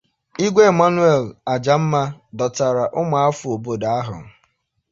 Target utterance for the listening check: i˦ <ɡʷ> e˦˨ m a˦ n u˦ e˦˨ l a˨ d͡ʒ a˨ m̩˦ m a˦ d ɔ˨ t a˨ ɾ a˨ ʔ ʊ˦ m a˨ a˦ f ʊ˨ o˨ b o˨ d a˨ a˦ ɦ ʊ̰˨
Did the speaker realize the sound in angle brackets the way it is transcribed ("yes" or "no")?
yes